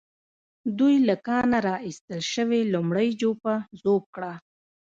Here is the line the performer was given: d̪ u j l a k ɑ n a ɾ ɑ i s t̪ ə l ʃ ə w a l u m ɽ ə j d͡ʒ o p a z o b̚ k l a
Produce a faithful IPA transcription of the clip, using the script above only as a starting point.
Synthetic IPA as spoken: d̪ u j l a k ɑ n a ɾ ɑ i s t̪ ə l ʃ ə w e l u m ɽ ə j d͡ʒ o p a z o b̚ k ɽ a